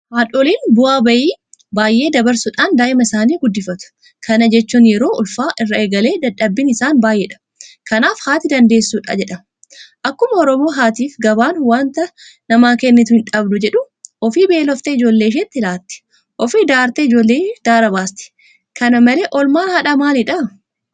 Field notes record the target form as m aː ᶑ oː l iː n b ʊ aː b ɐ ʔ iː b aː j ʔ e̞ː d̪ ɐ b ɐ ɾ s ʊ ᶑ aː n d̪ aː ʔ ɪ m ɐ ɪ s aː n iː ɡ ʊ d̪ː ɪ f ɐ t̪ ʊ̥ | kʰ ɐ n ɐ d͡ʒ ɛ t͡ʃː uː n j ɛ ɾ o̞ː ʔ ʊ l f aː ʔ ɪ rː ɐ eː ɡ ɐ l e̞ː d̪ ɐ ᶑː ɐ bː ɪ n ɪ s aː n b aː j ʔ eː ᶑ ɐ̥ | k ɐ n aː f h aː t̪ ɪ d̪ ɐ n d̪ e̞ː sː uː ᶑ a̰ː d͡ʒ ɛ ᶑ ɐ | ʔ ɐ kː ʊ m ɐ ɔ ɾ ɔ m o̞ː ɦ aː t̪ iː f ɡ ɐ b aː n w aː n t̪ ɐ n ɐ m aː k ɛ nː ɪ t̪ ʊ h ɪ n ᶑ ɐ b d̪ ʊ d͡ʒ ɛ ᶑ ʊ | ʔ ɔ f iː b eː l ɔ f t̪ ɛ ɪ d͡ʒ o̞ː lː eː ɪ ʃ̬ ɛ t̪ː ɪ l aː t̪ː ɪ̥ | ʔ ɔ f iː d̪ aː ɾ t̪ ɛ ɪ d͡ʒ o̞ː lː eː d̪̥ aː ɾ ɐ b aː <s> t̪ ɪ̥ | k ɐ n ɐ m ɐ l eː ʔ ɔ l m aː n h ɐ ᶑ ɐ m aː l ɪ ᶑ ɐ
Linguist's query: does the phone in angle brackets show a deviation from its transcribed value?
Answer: no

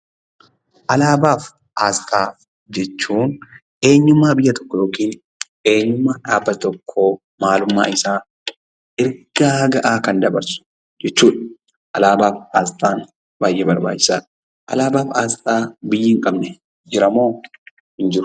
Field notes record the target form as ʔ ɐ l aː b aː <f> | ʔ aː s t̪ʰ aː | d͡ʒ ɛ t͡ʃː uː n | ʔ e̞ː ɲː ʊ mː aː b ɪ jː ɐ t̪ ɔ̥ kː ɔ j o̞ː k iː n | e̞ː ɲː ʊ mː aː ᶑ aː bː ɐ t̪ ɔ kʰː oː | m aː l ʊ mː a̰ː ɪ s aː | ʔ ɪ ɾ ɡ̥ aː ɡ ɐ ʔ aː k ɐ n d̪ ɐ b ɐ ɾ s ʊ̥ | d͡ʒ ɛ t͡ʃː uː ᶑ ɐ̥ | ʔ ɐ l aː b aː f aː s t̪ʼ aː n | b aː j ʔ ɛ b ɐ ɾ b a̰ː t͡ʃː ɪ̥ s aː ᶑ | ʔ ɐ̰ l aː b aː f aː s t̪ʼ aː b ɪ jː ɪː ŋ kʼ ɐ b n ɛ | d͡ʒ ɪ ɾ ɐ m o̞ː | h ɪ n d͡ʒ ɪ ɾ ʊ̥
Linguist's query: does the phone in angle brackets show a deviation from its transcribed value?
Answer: no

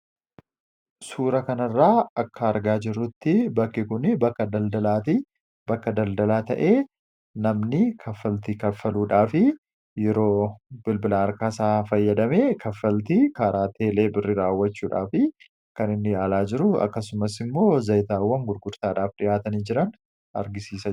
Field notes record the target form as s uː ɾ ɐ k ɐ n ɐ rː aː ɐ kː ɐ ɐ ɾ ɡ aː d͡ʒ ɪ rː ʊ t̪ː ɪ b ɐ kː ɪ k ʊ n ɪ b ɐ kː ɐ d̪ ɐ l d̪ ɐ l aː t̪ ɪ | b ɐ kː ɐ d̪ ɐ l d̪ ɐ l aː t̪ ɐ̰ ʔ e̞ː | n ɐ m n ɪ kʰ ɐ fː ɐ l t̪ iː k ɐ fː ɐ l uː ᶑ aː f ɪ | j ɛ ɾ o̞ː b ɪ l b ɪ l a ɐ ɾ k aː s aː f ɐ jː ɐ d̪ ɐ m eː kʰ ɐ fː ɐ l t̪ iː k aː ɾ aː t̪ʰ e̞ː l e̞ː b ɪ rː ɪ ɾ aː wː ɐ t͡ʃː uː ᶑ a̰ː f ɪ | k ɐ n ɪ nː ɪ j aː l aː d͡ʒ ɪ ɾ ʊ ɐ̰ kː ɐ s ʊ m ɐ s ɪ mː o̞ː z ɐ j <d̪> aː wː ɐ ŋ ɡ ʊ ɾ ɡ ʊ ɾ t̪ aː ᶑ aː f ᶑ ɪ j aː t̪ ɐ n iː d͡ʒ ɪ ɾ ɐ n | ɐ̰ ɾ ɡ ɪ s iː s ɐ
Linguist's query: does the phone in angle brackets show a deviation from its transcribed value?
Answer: yes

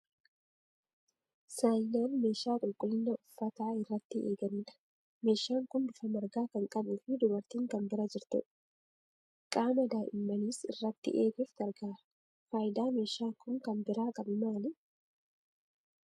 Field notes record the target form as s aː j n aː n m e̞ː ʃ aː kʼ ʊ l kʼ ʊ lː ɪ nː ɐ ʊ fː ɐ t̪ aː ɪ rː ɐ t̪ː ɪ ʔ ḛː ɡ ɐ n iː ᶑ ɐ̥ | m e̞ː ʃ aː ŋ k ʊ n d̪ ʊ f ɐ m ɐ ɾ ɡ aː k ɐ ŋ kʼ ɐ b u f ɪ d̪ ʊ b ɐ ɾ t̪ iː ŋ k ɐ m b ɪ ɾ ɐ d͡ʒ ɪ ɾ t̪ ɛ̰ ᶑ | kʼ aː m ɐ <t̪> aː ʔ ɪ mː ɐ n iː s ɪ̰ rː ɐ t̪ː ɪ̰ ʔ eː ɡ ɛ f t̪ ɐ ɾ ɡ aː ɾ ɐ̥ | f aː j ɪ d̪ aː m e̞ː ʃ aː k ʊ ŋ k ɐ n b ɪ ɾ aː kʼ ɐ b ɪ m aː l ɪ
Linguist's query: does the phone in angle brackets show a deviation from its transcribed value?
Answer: yes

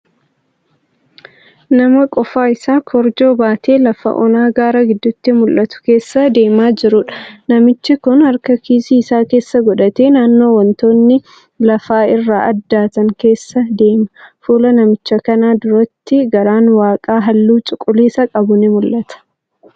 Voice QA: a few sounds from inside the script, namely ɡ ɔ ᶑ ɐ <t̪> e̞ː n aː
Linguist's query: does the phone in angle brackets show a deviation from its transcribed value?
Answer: no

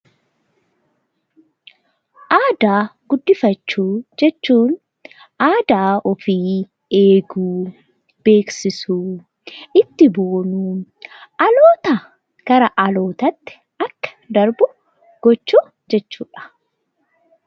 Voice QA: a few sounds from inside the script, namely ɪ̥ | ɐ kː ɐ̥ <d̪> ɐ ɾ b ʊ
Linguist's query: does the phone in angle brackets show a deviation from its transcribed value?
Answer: no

